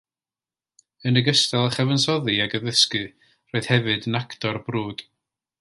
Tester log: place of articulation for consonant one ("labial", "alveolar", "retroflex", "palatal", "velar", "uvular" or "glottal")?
alveolar